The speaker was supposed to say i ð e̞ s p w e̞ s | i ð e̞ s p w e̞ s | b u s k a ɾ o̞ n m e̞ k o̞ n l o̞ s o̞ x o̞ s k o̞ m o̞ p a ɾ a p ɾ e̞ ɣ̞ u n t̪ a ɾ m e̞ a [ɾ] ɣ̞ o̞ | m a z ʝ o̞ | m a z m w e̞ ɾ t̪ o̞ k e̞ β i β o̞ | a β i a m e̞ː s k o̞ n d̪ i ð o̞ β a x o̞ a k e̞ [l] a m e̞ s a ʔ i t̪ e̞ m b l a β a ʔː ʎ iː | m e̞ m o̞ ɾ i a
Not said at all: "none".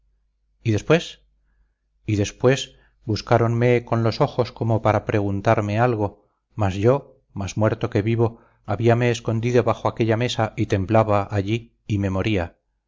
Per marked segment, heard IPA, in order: l, ʎ

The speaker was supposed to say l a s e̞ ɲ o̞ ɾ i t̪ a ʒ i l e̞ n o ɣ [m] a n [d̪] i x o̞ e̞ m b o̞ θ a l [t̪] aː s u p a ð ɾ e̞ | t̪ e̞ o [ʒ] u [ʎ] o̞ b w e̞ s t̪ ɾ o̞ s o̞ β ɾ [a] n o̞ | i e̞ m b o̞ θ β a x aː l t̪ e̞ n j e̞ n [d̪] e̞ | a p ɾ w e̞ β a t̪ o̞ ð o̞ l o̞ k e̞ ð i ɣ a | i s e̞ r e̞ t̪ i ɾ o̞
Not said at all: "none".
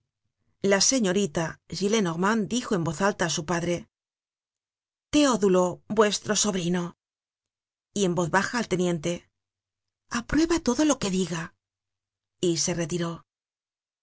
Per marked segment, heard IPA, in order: m, d̪, t̪, ð, l, i, t̪

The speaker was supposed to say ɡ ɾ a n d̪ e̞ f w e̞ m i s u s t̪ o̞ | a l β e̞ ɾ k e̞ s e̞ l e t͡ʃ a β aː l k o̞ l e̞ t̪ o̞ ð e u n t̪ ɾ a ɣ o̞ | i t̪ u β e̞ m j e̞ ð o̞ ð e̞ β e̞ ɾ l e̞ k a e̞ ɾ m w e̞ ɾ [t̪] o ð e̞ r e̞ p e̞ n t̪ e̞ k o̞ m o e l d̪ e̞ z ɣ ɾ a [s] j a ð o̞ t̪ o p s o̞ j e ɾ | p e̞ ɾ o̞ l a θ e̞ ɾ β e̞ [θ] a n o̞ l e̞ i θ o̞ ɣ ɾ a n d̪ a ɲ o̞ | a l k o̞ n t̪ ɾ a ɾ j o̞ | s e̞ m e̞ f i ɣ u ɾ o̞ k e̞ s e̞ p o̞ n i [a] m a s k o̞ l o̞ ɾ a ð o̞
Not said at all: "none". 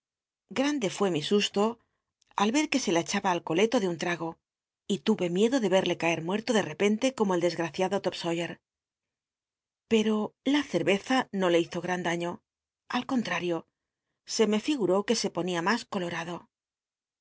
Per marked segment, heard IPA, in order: t̪, θ, θ, a

